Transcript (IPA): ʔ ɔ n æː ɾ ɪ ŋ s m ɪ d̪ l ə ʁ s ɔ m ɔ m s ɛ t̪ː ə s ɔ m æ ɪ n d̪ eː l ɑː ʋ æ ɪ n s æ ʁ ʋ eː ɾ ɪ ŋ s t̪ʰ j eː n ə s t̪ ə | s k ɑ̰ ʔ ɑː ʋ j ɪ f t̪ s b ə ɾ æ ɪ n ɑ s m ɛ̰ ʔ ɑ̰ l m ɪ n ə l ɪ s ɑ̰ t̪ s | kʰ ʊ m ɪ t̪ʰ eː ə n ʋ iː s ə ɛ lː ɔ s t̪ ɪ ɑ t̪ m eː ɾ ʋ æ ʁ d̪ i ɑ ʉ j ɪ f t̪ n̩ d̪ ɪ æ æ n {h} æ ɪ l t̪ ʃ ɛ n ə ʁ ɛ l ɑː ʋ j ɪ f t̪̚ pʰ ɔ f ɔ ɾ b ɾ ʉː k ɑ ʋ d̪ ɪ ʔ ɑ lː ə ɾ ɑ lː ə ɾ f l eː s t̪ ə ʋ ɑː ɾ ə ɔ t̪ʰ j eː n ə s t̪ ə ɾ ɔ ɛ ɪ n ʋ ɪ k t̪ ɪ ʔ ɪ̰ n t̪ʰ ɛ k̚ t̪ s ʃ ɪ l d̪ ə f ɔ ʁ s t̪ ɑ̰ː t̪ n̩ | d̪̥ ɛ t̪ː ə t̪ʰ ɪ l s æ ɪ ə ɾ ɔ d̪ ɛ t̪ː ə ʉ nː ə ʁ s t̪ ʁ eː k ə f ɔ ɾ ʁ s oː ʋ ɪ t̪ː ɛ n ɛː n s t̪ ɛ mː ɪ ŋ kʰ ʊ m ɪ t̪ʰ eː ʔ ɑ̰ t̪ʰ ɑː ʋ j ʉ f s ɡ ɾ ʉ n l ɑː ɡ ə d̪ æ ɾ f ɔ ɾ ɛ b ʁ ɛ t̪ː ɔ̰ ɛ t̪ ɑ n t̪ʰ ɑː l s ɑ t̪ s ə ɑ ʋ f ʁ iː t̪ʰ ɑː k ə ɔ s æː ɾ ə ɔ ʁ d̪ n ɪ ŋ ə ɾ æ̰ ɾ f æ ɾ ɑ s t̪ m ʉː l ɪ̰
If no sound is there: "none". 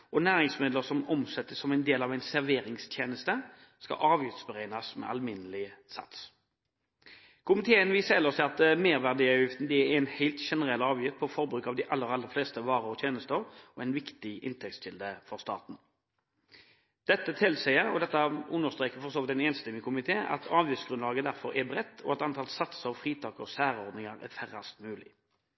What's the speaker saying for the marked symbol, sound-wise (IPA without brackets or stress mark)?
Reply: h